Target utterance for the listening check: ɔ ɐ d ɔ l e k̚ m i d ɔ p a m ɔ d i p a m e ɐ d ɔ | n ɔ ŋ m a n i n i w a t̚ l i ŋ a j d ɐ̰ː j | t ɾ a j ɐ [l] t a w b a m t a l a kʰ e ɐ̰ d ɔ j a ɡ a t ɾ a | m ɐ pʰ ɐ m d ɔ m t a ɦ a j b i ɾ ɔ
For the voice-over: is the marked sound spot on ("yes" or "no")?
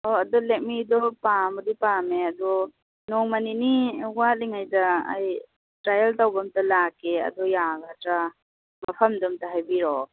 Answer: yes